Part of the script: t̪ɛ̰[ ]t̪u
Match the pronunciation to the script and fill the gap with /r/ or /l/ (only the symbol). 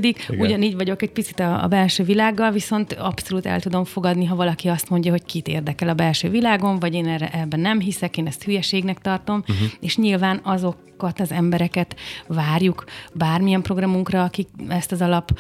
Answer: l